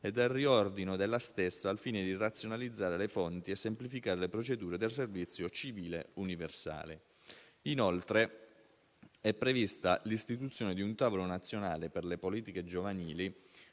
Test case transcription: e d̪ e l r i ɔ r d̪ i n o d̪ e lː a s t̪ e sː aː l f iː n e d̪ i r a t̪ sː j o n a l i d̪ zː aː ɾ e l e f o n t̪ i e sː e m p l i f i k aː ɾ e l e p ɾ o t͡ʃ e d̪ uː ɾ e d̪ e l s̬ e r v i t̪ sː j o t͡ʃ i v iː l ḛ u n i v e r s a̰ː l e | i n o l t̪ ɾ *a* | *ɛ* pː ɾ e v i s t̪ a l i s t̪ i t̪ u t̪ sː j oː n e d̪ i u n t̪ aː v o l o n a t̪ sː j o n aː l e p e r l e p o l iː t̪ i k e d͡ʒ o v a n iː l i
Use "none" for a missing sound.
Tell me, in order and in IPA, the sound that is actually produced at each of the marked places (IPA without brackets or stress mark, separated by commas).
e, ɛ